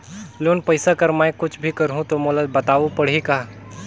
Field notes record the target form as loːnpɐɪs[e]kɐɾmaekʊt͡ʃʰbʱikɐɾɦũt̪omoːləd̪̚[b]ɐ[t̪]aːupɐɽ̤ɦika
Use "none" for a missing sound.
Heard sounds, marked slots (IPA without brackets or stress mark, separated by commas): a, b, t̪